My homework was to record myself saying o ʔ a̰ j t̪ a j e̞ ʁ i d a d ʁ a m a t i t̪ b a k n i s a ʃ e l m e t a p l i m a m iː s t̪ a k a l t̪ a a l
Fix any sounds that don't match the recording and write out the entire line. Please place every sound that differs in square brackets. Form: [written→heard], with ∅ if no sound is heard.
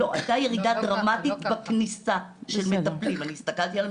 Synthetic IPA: o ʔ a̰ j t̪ a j e̞ ʁ i d a d ʁ a m a t i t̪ b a k n i s a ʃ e l m e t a p l i m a [m→n] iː s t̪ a k a l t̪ [a→i] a l